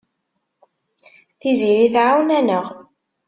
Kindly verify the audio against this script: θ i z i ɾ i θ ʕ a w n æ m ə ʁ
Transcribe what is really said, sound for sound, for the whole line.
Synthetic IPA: θ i z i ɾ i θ ʕ a w n æ n ə ʁ